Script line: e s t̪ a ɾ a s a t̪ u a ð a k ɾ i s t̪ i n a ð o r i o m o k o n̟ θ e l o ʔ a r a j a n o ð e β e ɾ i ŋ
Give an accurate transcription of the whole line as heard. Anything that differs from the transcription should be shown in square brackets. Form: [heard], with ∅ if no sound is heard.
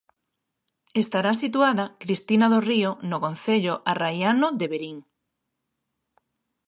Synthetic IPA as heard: e s t̪ a ɾ a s [i] t̪ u a ð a k ɾ i s t̪ i n a ð o r i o [n] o k o n̟ θ e [ʎ] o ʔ a r a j a n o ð e β e ɾ i ŋ